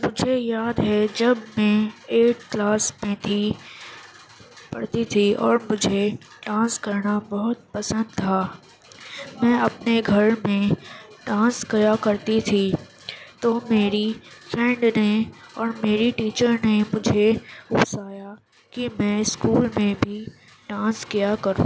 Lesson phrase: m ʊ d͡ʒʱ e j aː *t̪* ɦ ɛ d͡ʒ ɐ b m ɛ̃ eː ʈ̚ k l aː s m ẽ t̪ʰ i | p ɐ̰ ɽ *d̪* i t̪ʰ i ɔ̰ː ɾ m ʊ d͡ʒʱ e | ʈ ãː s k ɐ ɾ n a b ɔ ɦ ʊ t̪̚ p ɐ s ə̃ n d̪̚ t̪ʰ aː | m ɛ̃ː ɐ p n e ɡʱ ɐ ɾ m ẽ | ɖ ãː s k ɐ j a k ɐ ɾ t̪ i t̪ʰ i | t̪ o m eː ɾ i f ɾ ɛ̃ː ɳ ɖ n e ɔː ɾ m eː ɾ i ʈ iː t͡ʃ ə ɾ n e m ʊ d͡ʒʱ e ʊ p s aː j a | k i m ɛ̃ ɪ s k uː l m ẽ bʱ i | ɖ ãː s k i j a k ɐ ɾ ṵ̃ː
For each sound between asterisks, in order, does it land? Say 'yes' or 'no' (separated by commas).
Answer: no, no